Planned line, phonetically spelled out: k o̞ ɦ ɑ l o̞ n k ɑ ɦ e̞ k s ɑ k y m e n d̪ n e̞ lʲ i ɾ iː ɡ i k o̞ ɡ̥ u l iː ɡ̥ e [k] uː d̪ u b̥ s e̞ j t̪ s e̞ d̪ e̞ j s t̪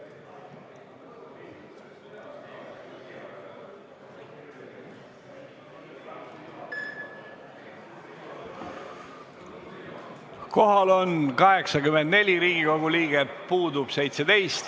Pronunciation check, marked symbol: incorrect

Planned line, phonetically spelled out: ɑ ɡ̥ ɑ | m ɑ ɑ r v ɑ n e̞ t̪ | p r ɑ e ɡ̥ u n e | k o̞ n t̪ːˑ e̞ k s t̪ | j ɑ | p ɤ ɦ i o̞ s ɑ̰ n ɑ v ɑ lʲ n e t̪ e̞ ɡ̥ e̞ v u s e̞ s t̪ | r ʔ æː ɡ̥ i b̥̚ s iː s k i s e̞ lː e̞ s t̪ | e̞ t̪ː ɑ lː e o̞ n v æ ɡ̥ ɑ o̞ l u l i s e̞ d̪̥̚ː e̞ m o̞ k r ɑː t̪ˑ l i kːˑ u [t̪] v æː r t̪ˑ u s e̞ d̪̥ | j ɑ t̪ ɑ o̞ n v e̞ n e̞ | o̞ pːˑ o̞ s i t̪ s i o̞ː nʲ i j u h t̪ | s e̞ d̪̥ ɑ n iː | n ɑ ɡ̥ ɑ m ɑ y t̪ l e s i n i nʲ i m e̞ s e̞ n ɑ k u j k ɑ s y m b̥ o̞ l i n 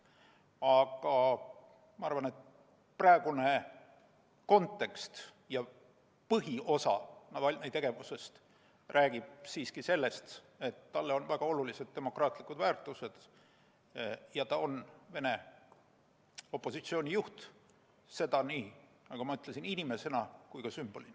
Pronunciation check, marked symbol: incorrect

